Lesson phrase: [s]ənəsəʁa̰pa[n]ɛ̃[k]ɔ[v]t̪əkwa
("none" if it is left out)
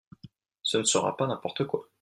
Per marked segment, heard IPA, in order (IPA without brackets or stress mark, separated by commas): s, n, p, ʁ